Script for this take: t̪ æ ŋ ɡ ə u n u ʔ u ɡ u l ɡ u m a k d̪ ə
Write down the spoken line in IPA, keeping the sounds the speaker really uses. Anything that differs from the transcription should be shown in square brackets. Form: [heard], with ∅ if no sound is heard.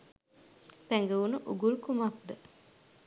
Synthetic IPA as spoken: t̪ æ ŋ ɡ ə u n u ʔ u ɡ u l [k] u m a k d̪ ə